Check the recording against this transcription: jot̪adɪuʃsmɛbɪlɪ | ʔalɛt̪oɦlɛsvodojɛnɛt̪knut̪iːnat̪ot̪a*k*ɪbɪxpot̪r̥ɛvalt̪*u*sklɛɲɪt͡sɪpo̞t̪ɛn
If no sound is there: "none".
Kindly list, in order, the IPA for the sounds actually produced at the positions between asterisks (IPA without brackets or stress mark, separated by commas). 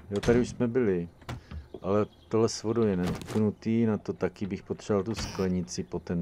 k, u